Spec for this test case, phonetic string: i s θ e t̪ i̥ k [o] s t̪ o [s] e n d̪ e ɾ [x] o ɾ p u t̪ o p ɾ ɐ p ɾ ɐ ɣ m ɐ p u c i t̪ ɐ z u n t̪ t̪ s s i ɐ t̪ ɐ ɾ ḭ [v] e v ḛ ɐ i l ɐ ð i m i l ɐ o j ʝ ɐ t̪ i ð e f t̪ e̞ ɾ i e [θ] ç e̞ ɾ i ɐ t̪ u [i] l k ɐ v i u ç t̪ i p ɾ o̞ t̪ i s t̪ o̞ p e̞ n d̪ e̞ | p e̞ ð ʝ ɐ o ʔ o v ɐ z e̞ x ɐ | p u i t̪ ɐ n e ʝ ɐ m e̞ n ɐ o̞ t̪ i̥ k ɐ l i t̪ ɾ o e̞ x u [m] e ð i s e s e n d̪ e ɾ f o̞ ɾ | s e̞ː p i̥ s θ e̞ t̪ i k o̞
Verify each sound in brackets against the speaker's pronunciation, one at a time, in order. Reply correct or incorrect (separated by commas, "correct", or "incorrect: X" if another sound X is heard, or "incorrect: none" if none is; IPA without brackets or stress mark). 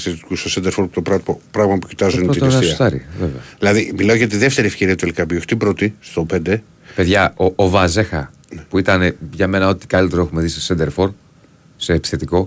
incorrect: u, correct, incorrect: f, correct, incorrect: f, incorrect: e, correct